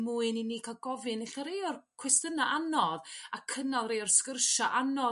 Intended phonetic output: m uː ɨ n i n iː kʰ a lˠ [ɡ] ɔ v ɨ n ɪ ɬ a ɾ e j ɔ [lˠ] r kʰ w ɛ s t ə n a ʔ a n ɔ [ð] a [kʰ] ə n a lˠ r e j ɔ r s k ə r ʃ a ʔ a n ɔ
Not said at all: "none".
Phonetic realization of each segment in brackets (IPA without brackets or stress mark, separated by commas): ɡ, none, ð, kʰ